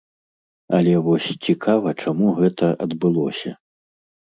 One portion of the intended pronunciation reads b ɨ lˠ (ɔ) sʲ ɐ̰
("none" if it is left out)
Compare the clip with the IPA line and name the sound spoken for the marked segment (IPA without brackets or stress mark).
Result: ɔ